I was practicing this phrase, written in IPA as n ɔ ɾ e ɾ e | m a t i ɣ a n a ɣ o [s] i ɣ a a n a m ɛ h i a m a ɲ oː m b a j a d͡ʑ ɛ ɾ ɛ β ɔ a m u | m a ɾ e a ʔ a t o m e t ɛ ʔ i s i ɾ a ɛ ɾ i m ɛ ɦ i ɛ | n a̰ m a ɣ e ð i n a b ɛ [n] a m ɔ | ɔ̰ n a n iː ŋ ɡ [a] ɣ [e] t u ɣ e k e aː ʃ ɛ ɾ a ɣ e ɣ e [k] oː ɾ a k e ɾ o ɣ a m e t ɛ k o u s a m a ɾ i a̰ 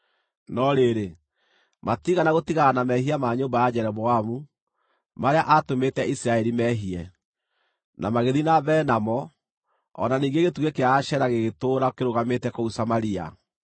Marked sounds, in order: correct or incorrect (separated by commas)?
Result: incorrect, correct, incorrect, correct, incorrect